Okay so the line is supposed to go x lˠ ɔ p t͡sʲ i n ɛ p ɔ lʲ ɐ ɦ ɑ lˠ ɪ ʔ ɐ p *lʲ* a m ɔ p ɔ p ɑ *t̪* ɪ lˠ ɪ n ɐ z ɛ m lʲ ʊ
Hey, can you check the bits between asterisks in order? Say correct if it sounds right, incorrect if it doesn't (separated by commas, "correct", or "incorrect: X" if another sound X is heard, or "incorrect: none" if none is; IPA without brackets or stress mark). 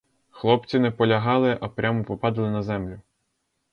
incorrect: ɾʲ, incorrect: d̪